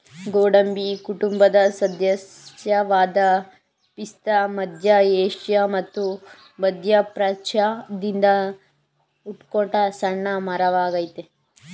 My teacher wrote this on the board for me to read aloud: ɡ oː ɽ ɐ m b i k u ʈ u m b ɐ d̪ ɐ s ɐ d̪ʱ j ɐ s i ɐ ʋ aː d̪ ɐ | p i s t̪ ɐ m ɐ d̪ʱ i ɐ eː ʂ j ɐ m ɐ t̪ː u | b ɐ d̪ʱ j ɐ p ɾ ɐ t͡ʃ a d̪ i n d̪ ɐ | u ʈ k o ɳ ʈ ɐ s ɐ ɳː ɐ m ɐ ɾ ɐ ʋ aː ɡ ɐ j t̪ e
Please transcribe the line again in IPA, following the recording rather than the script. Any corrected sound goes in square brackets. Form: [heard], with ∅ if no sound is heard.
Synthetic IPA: ɡ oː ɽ ɐ m b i k u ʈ u m b ɐ d̪ ɐ s ɐ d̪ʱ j ɐ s [j] ɐ ʋ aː d̪ ɐ | p i s t̪ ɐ m ɐ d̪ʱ [j] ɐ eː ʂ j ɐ m ɐ t̪ː u | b ɐ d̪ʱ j ɐ p ɾ ɐ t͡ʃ a d̪ i n d̪ ɐ | u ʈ k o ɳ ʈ ɐ s ɐ ɳː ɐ m ɐ ɾ ɐ ʋ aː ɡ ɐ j t̪ e